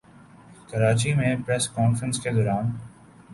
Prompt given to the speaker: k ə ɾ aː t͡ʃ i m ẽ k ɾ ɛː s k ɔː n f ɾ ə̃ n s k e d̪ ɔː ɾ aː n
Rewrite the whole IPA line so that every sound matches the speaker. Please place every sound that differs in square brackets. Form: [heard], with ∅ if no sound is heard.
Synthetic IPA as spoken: k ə ɾ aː t͡ʃ i m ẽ [p] ɾ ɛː s k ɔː n f ɾ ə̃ n s k e d̪ ɔː ɾ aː n